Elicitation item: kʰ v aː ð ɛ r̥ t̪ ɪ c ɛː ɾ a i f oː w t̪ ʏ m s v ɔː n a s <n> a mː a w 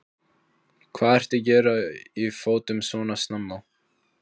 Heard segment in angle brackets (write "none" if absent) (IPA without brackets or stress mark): n